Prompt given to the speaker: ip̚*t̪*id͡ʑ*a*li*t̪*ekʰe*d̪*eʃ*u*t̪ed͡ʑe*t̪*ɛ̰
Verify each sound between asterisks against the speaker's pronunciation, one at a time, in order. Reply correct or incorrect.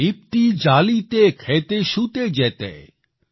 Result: correct, correct, correct, incorrect, correct, correct

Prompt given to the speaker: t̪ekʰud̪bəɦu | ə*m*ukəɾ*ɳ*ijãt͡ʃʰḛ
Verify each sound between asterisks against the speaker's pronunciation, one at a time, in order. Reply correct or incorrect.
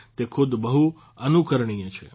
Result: incorrect, correct

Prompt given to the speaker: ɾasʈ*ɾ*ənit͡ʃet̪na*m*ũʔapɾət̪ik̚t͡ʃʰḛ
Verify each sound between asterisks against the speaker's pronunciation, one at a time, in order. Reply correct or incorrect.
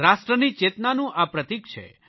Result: correct, incorrect

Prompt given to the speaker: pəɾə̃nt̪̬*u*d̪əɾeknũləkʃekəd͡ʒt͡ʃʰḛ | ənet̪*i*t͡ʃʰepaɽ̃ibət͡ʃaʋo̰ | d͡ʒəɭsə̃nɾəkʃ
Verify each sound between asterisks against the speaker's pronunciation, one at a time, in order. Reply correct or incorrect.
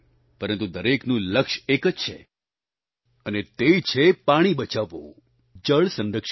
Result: correct, incorrect

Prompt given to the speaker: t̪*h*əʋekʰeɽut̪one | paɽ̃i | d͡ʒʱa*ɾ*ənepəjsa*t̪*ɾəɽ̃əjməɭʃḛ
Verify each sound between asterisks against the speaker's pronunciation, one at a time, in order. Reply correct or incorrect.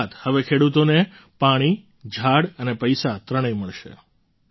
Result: correct, incorrect, correct

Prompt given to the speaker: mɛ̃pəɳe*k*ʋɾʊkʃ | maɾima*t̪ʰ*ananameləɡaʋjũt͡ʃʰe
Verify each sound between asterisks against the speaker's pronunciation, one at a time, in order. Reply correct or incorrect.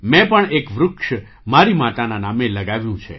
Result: correct, incorrect

